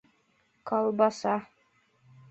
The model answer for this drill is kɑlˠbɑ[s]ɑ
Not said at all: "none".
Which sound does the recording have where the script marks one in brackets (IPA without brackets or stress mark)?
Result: s